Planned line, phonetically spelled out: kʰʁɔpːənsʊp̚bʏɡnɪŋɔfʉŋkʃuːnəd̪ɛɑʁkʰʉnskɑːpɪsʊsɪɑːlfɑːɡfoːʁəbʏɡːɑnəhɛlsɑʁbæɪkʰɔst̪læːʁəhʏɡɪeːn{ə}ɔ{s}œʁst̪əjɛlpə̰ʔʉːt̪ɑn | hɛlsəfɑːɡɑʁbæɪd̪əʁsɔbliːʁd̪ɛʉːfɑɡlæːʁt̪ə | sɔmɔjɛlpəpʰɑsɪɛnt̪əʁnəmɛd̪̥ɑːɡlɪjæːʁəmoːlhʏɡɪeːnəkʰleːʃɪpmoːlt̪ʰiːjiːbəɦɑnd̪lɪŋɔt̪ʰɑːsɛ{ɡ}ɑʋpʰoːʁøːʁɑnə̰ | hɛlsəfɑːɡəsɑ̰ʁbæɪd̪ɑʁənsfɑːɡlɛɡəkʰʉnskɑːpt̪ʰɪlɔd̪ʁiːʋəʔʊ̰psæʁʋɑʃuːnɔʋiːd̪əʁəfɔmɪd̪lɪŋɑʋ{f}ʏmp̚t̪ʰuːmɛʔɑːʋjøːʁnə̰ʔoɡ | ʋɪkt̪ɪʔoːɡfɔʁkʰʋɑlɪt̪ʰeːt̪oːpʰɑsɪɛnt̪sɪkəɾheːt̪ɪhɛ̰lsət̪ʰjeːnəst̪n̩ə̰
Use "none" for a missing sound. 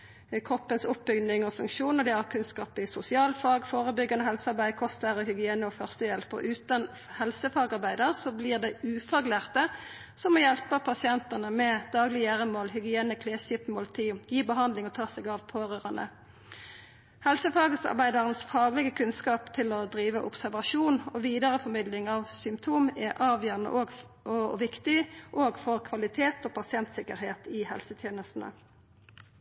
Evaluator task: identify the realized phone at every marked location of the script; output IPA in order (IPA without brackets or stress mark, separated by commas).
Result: ə, f, ɡ, s